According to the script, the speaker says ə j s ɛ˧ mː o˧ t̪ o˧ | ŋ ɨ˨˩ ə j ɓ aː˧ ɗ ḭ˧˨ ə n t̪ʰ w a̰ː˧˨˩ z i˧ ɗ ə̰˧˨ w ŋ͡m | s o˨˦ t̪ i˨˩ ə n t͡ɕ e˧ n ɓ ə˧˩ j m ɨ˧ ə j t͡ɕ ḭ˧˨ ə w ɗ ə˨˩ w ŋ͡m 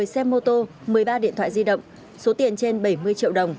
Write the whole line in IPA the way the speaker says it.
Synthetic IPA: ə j s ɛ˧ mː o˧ t̪ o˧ | m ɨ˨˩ ə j ɓ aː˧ ɗ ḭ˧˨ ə n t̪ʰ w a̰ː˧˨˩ z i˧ ɗ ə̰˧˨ w ŋ͡m | s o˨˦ t̪ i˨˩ ə n t͡ɕ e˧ n ɓ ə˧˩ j m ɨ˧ ə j t͡ɕ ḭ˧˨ ə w ɗ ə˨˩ w ŋ͡m